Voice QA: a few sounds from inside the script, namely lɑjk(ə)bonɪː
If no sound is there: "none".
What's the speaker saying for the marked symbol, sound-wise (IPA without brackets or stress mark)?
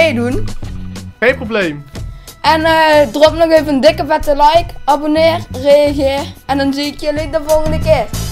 ɑ